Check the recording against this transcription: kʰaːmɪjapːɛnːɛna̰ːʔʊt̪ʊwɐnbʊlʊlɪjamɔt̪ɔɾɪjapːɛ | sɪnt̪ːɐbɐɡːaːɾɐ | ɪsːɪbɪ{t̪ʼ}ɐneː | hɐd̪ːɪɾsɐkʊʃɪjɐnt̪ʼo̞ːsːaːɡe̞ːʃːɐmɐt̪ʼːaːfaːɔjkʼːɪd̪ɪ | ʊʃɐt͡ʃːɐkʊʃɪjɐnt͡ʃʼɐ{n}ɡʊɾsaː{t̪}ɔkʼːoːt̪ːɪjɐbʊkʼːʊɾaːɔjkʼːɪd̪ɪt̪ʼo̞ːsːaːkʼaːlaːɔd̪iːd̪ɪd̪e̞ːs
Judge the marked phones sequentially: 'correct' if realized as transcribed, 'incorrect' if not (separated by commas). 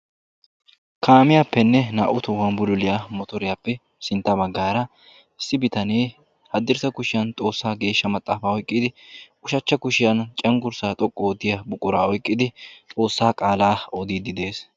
incorrect, incorrect, incorrect